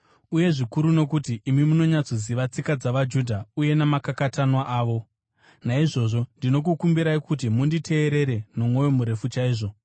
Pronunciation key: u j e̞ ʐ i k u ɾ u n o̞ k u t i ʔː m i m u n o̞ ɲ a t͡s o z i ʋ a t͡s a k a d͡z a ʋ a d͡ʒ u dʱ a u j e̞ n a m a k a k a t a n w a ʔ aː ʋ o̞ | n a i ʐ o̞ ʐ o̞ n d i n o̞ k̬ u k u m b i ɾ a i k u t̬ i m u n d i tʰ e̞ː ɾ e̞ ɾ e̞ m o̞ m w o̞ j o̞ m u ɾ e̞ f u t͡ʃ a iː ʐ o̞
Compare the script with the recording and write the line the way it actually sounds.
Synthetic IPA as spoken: u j e̞ ʐ i k u ɾ u n o̞ k u t i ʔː m i m u n o̞ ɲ a t͡s o z i ʋ a t͡s i k a d͡z a ʋ a d͡ʒ u dʱ a u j e̞ n a m a k a k a t a n w a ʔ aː ʋ o̞ | n a i ʐ o̞ ʐ o̞ n d i n o̞ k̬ u k u m b i ɾ a i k u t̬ i m u n d i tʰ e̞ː ɾ e̞ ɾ e̞ n o̞ m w o̞ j o̞ m u ɾ e̞ f u t͡ʃ a iː ʐ o̞